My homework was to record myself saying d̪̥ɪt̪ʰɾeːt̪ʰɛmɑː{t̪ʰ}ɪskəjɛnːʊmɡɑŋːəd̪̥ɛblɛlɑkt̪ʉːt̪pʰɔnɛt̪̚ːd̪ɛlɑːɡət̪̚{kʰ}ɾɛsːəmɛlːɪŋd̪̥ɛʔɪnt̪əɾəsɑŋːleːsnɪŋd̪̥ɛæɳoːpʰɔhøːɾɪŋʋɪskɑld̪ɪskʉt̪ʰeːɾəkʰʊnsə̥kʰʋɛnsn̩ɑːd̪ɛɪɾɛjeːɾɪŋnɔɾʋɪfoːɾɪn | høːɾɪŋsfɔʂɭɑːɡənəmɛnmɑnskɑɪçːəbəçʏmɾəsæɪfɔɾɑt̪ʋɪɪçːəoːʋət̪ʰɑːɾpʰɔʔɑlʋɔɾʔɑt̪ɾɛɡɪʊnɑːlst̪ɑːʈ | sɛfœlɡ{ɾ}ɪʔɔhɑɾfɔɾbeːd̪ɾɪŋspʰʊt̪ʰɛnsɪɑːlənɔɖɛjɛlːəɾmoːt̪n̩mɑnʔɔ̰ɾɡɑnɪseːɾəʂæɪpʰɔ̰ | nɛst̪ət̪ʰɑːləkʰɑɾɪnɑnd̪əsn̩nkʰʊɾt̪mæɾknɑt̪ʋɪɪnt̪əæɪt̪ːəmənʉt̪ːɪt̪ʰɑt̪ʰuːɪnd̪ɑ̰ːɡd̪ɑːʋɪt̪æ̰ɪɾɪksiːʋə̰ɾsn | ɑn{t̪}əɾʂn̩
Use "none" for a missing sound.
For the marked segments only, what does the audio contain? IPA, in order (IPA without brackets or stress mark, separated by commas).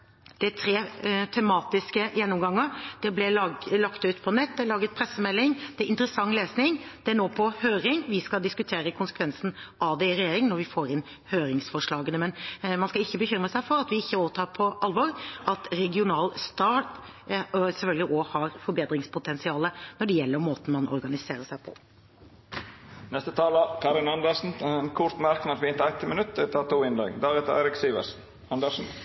t̪, pʰ, l, d̪